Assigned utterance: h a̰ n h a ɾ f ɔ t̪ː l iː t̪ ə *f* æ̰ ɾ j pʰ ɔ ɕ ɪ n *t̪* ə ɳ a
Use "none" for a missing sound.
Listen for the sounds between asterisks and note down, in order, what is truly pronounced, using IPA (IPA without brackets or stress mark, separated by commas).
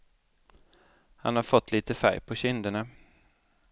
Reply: f, d̪